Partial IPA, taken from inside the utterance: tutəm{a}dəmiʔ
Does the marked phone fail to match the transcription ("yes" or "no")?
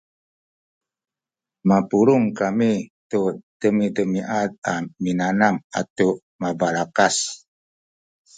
yes